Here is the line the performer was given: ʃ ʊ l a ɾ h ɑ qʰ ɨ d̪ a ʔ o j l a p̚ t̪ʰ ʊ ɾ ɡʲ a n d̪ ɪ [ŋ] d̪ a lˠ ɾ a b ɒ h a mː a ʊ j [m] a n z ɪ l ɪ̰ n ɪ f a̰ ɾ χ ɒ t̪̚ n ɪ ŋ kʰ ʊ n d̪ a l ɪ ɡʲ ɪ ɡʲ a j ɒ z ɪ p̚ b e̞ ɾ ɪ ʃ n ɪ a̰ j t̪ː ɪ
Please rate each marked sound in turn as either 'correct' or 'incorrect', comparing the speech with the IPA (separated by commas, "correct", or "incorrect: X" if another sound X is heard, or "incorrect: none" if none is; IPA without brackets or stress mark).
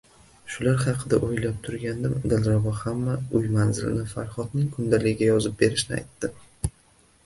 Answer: incorrect: m, correct